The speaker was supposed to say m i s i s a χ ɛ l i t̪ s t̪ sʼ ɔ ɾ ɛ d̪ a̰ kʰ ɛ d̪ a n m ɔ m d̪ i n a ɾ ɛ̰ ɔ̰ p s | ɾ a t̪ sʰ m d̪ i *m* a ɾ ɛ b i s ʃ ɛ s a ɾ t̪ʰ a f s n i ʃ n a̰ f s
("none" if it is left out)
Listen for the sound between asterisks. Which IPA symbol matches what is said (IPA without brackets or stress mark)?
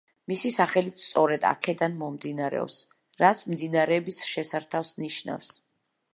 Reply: n